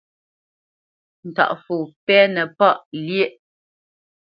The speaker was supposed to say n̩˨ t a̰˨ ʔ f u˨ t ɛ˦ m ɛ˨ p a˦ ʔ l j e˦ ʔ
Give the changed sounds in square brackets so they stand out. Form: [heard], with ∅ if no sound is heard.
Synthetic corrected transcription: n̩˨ t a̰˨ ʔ f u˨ [p] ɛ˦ [n] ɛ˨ p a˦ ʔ l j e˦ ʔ